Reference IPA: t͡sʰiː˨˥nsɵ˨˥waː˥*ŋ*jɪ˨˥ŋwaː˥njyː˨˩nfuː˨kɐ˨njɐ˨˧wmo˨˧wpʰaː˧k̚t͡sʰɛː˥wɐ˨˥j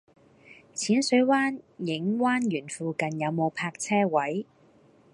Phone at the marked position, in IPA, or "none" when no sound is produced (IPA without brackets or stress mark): n